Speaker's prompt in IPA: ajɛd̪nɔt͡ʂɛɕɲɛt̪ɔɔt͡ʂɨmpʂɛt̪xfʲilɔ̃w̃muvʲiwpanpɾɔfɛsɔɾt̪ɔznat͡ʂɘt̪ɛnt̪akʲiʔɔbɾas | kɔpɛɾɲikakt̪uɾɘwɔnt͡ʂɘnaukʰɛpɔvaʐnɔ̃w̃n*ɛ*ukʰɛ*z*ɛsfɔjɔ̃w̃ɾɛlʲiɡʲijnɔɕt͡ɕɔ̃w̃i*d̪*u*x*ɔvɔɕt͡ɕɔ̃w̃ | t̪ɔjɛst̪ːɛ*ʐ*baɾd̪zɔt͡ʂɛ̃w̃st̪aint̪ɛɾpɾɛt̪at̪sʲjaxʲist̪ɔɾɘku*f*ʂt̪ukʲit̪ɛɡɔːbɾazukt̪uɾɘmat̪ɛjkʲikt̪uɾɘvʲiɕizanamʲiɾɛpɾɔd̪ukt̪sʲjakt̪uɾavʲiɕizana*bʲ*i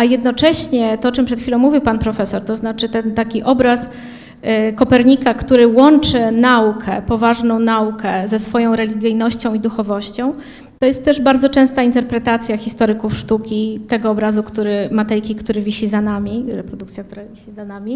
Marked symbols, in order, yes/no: no, yes, yes, yes, yes, yes, no

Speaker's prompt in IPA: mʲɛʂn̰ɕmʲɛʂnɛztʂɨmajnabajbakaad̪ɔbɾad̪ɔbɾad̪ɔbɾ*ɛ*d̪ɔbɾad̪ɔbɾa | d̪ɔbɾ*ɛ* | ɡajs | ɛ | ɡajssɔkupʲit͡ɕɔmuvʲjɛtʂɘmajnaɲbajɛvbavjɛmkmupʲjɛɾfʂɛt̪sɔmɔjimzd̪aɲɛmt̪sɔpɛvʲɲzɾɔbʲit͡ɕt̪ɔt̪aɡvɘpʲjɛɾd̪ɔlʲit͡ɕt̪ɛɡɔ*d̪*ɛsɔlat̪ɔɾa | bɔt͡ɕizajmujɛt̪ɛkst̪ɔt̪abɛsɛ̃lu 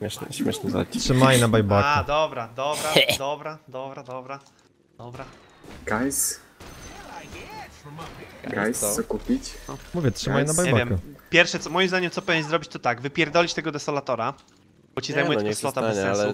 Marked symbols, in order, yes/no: no, no, yes

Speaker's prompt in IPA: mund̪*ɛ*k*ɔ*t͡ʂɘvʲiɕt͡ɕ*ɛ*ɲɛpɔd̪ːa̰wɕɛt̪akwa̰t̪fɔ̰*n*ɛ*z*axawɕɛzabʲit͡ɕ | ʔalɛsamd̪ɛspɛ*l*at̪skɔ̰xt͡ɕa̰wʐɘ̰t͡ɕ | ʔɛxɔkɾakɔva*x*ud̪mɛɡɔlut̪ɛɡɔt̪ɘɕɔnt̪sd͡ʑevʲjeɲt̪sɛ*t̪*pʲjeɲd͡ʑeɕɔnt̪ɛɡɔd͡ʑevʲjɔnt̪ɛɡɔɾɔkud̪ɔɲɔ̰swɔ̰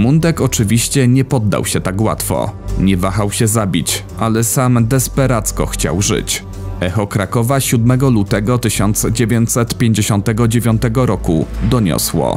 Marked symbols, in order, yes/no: yes, yes, yes, no, no, no, no, yes

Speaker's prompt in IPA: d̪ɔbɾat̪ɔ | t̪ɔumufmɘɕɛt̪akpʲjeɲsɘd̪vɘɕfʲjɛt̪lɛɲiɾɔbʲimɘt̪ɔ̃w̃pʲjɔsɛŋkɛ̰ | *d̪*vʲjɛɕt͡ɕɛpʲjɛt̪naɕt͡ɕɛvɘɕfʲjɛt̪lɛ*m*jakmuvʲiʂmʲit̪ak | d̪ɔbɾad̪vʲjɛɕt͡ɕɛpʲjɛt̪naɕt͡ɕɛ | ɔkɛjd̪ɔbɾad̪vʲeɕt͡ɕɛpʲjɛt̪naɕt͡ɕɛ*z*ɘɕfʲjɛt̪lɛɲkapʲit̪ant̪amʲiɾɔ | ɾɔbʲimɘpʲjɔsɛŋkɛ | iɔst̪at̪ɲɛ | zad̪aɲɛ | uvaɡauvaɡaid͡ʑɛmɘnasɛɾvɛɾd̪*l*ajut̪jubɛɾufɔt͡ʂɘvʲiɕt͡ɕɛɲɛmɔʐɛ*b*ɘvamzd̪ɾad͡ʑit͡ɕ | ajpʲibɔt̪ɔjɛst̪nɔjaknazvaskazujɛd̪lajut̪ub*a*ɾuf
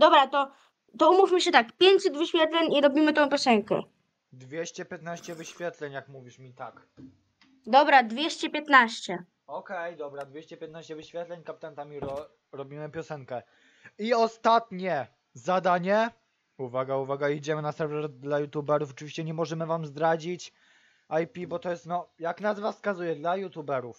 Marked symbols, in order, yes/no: yes, no, no, yes, no, no

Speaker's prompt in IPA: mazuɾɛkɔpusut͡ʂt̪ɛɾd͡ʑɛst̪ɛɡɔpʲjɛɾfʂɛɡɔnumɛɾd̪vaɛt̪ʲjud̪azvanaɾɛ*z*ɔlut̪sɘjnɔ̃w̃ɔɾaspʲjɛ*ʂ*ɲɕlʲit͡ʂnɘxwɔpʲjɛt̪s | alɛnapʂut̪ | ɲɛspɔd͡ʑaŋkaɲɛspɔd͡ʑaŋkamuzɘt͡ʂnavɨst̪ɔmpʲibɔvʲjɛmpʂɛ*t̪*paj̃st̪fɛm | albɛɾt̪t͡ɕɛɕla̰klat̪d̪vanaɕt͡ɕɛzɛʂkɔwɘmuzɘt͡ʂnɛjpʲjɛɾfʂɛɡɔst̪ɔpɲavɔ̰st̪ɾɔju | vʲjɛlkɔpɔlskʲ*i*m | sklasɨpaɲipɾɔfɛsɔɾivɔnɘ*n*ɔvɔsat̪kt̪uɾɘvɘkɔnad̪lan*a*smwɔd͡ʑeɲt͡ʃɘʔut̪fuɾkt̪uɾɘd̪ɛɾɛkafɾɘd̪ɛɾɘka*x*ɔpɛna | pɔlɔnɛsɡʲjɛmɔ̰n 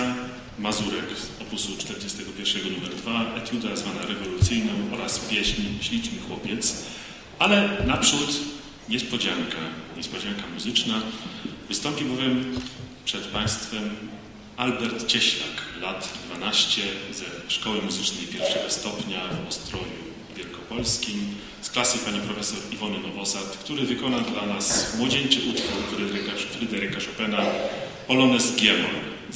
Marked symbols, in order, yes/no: no, no, yes, yes, yes, yes, no

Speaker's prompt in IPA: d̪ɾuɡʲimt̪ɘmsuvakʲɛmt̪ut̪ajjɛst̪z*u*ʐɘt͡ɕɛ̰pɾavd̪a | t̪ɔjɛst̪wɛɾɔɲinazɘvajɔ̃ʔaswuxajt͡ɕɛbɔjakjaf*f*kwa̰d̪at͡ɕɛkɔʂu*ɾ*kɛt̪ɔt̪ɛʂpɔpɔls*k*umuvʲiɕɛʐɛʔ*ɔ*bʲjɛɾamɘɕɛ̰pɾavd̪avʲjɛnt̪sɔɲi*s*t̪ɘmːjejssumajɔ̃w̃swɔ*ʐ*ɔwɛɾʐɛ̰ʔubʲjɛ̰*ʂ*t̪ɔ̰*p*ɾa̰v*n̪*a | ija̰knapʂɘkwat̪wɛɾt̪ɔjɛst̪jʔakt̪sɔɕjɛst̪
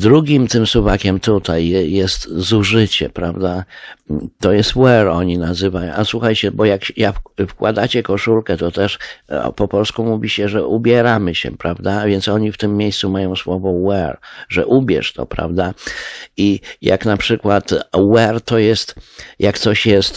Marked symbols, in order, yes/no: yes, yes, no, yes, no, no, no, yes, yes, no

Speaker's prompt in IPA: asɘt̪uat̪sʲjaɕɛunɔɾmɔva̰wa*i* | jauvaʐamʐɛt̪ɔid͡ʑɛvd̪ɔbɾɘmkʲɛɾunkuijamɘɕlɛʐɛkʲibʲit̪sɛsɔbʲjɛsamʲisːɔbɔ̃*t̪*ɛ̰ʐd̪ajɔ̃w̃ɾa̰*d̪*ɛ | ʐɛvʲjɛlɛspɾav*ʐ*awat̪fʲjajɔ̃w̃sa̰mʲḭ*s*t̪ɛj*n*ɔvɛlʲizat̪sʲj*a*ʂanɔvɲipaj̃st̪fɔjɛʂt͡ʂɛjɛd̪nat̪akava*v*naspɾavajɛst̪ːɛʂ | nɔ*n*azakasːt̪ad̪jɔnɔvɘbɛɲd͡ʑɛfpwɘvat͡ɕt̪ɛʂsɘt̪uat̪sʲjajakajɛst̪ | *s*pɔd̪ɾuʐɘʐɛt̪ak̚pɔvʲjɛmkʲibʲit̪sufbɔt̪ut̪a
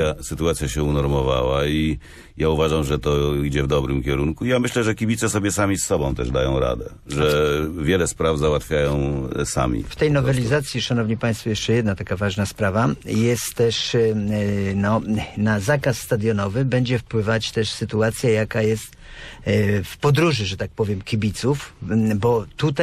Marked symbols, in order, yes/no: yes, yes, yes, no, no, yes, no, no, yes, no

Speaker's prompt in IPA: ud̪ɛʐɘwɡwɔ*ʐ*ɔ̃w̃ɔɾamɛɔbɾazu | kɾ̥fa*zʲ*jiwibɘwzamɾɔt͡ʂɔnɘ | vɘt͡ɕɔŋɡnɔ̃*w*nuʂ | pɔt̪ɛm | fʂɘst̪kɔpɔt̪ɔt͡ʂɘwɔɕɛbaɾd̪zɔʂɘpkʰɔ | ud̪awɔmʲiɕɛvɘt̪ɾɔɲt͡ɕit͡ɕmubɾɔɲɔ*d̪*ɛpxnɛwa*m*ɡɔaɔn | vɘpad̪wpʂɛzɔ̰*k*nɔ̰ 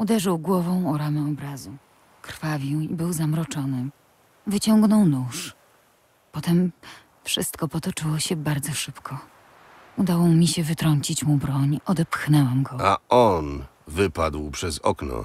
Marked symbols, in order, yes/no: no, no, yes, yes, yes, yes

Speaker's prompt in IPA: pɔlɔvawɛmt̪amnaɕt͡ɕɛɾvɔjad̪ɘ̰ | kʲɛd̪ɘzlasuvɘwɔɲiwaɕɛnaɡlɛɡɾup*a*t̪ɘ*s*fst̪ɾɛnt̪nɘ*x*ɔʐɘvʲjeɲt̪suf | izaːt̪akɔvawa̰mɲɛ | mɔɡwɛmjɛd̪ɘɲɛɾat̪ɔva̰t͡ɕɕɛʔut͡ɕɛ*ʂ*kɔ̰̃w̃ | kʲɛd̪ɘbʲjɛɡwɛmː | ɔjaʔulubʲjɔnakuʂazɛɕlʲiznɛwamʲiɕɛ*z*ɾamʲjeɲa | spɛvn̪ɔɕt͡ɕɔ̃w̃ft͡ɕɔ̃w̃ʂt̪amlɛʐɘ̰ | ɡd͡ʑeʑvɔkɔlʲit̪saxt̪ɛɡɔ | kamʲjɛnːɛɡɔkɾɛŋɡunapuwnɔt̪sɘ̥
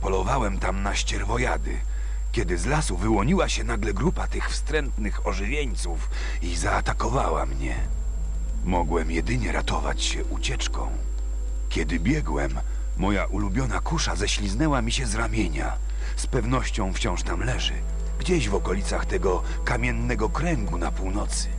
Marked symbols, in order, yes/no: yes, no, yes, no, yes

